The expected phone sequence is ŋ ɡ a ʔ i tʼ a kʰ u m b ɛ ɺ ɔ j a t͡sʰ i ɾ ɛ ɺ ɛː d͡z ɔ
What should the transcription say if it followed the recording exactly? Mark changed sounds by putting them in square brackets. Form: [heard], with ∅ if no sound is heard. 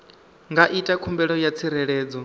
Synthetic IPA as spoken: ŋ ɡ a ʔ i tʼ a kʰ u m b ɛ ɺ ɔ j a t͡sʰ i ɾ ɛ ɺ ɛː d͡z ɔ

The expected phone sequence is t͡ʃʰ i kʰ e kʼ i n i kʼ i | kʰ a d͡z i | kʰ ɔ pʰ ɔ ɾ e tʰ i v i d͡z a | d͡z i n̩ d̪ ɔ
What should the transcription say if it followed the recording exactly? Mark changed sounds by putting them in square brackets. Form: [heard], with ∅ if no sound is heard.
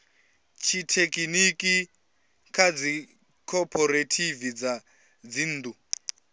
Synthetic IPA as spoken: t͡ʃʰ i [tʰ] e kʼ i n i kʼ i | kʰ a d͡z i | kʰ ɔ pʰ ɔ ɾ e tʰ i v i d͡z a | d͡z i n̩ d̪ [u]

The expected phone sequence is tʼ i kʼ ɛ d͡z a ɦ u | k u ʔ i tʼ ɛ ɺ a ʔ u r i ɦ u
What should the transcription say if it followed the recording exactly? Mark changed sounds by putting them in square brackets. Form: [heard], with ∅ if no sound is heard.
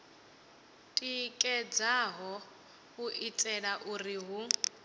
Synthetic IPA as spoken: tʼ i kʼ ɛ d͡z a ɦ [ɔ] | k u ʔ i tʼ ɛ ɺ a ʔ u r i ɦ u

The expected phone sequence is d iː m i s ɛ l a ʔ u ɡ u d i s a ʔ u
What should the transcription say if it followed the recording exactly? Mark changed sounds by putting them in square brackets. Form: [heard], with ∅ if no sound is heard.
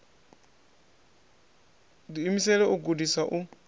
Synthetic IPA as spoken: d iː m i s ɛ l [ɛ] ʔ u ɡ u d i s a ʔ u

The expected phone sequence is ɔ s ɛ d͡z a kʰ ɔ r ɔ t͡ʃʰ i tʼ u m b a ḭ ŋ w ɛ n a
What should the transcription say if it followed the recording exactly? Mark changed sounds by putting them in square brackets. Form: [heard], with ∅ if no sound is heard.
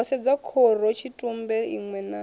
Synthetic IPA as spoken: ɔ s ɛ d͡z a kʰ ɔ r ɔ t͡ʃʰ i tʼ u m b [ɛ] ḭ ŋ w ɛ n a

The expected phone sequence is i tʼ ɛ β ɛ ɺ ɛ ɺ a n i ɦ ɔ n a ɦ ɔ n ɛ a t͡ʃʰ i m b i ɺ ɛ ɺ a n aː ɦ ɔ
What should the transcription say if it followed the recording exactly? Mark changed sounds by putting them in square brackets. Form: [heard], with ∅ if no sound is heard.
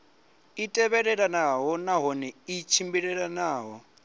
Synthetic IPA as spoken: i tʼ ɛ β ɛ ɺ ɛ ɺ a n [a] ɦ ɔ n a ɦ ɔ n ɛ [i] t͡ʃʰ i m b i ɺ ɛ ɺ a n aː ɦ ɔ

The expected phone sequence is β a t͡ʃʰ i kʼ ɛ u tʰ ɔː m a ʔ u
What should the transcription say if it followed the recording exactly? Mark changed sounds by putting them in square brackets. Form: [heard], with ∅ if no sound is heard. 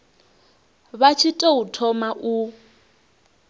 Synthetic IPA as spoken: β a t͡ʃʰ i [tʼ] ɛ u tʰ [ɔ] m a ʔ u

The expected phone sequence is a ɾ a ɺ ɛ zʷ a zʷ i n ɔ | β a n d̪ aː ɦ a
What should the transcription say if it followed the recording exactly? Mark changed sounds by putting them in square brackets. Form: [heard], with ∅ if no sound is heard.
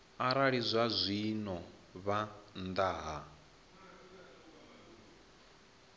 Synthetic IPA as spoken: a ɾ a ɺ [i] zʷ a zʷ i n ɔ | β a n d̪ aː ɦ a

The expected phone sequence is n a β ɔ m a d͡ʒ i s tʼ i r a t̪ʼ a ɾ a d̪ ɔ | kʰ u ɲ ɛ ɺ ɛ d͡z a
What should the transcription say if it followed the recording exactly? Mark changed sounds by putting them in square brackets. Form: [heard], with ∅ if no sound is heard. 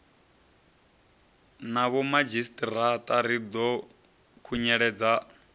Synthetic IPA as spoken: n a β ɔ m a d͡ʒ i s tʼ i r a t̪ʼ a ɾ [i] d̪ ɔ | kʰ u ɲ ɛ ɺ ɛ d͡z a

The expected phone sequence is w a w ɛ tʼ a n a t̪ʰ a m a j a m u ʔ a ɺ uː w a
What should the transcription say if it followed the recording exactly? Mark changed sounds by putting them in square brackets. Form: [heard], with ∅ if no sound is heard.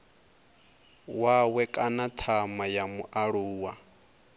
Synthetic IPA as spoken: w a w ɛ [kʼ] a n a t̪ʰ a m a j a m u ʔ a ɺ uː w a

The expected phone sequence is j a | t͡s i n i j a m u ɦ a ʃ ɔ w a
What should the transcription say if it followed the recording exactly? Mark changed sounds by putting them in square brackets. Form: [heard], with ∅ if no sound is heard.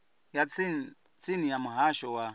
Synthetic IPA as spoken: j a | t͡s i n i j a m u ɦ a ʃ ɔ w a

